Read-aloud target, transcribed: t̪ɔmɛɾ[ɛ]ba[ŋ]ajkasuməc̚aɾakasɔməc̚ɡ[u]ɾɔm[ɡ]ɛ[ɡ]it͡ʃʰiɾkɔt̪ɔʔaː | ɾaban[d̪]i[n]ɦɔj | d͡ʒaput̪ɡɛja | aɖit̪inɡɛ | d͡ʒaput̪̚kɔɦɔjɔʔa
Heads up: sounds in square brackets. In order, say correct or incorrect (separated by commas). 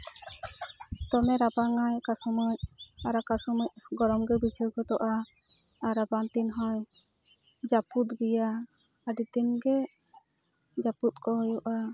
incorrect, correct, incorrect, correct, incorrect, incorrect, correct